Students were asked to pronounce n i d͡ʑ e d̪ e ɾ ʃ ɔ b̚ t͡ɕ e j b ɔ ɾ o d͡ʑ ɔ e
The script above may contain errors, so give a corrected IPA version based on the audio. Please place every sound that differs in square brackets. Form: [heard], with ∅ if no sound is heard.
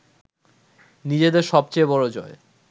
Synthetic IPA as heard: n i d͡ʑ e d̪ e ɾ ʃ ɔ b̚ t͡ɕ e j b ɔ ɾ o d͡ʑ ɔ e

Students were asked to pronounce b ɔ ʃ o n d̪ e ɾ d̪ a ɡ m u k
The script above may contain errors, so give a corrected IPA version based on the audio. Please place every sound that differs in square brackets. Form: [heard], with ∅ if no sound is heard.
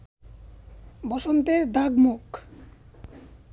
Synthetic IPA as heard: b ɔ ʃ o n [t̪] e ɾ d̪ a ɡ m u k

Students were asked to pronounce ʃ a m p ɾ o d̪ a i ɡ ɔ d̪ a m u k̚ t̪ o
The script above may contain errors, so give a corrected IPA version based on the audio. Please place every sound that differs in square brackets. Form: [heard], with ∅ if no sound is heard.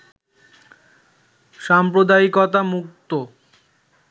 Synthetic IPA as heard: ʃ a m p ɾ o d̪ a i [k] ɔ [t̪] a m u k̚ t̪ o

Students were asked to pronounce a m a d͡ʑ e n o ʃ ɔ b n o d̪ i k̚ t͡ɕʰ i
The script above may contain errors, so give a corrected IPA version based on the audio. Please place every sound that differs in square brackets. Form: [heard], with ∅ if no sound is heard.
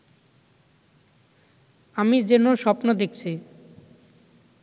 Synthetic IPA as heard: a m [i] d͡ʑ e n o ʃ ɔ [p] n o d̪ [e] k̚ t͡ɕʰ i

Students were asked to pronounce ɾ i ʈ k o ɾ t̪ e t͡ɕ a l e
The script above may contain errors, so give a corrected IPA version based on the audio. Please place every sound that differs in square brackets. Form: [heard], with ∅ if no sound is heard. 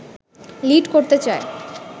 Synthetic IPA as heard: [l] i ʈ k o ɾ t̪ e t͡ɕ a [∅] e

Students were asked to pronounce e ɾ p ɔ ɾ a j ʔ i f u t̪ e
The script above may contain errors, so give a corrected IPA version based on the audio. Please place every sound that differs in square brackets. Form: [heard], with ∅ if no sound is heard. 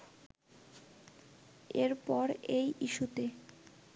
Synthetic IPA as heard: e ɾ p ɔ ɾ [e] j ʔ i [ʃ] u t̪ e

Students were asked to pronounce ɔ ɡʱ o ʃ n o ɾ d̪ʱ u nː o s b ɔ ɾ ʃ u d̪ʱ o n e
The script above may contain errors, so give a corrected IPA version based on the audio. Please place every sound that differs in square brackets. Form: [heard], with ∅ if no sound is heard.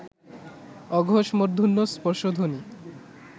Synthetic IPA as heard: ɔ ɡʱ o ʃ [m] o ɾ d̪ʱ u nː o s [p] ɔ ɾ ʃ [o] d̪ʱ o n [i]

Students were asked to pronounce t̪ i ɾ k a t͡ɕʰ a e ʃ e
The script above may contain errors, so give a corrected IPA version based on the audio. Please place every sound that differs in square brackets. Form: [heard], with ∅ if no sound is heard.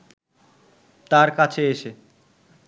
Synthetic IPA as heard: t̪ [a] ɾ k a t͡ɕʰ [e] e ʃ e

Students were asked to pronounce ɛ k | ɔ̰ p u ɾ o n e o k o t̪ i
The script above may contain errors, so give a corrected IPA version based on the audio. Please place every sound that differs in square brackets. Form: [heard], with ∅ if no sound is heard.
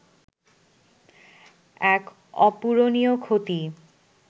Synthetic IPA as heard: ɛ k | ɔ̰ p u ɾ o n [i] o [kʰ] o t̪ i

